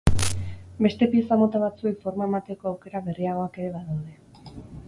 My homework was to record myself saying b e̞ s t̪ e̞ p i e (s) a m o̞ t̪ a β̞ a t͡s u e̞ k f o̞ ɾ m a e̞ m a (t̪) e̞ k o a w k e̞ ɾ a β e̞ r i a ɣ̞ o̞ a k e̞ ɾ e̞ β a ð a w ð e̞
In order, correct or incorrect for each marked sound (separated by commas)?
correct, correct